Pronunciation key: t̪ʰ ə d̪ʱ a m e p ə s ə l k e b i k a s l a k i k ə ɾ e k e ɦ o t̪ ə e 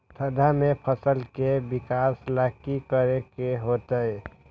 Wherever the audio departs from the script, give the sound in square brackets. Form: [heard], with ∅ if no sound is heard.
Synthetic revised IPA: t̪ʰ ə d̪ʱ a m e [pʰ] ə s ə l k e b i k a s l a k i k ə ɾ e k e ɦ o t̪ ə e

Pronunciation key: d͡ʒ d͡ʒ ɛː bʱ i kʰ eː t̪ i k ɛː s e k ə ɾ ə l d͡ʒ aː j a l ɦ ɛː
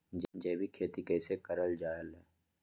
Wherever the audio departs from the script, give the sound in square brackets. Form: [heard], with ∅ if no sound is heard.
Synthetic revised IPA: d͡ʒ d͡ʒ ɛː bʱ i kʰ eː t̪ i k ɛː s e k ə ɾ ə l d͡ʒ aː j [ə] l ɦ ɛː

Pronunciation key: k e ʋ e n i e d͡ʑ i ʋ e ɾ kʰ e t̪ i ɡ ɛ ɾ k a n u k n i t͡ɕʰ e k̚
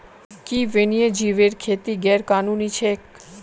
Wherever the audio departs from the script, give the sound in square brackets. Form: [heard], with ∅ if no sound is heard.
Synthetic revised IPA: k [i] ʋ e n i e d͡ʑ i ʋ e ɾ kʰ e t̪ i ɡ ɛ ɾ k a n u [∅] n i t͡ɕʰ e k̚

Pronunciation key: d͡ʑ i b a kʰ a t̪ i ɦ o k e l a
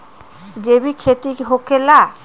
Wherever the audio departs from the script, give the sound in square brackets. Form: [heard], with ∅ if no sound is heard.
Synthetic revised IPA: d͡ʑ [e] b [i] kʰ [e] t̪ i ɦ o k e l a

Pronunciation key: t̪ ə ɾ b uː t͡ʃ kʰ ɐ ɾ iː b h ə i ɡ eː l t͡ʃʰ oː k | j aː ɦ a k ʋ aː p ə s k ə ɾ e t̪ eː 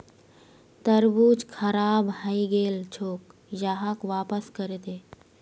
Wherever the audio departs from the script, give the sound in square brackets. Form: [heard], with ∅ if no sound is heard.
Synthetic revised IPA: t̪ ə ɾ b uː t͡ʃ kʰ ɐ ɾ [aː] b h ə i ɡ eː l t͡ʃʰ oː k | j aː ɦ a k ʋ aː p ə s k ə ɾ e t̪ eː

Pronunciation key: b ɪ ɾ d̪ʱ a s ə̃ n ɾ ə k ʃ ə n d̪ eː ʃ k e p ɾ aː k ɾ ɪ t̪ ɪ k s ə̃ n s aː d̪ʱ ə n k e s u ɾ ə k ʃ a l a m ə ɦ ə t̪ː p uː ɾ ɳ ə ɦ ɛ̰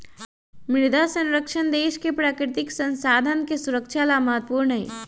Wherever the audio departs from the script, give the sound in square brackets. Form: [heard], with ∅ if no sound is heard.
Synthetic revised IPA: [m] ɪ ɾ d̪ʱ a s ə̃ n ɾ ə k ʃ ə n d̪ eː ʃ k e p ɾ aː k ɾ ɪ t̪ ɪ k s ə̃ n s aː d̪ʱ ə n k e s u ɾ ə k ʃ a l a m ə ɦ ə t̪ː p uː ɾ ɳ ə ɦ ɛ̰

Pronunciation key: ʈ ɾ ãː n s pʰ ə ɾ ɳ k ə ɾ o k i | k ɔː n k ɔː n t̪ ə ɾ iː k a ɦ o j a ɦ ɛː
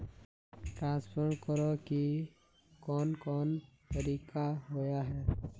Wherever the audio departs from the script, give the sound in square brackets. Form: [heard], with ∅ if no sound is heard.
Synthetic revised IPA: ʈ ɾ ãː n s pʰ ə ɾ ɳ k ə ɾ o k i | k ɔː n k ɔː n t̪ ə ɾ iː k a ɦ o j a ɦ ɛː

